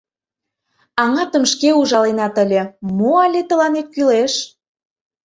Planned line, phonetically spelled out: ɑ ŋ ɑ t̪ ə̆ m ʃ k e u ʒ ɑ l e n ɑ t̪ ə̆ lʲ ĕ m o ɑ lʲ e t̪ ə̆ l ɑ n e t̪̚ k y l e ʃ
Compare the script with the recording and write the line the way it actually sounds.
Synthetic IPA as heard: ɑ ŋ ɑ t̪ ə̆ m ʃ k e u ʒ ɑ l e n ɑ t̪ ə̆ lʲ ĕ m o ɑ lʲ e t̪ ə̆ l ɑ n e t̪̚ k y l e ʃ